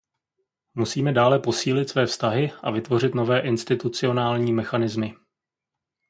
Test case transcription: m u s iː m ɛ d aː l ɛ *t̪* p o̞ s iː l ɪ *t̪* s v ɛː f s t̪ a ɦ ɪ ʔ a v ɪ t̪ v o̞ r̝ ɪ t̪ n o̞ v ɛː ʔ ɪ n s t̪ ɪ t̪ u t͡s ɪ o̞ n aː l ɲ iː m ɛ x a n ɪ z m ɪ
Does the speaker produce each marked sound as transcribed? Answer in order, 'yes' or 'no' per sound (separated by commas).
no, yes